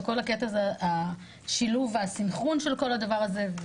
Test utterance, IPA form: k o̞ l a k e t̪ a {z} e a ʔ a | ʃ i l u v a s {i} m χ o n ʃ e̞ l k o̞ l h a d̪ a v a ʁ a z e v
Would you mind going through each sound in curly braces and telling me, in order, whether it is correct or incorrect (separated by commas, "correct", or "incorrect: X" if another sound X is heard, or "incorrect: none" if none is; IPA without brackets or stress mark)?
correct, correct